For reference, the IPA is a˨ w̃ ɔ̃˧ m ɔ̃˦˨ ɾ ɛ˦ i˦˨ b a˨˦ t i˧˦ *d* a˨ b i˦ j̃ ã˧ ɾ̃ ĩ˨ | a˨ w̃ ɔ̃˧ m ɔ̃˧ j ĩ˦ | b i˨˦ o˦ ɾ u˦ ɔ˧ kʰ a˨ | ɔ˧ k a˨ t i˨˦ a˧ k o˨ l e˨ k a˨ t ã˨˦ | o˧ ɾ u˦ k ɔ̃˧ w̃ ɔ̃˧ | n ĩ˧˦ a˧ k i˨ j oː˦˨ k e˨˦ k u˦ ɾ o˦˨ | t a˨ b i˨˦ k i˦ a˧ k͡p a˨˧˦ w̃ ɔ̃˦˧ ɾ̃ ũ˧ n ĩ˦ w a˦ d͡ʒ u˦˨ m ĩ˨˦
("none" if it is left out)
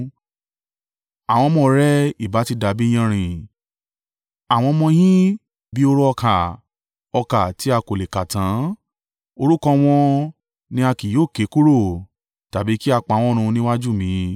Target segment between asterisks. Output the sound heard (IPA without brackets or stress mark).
d